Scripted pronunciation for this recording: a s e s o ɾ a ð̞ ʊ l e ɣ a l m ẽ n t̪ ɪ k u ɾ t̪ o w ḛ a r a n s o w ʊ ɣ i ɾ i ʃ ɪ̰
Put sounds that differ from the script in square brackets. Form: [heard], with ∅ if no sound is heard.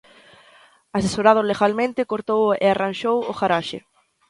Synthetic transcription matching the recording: a s e s o ɾ a ð̞ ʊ l e ɣ a l m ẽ n t̪ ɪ k [o] ɾ t̪ o w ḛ a r a n [ʃ] o w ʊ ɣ [a] ɾ [a] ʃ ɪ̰